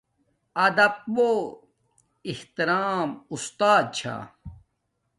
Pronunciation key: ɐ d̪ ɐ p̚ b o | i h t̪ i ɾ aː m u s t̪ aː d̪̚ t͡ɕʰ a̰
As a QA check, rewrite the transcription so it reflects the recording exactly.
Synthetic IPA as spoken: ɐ d̪ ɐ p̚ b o | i h t̪ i ɾ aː m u s t̪ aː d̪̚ t͡ɕʰ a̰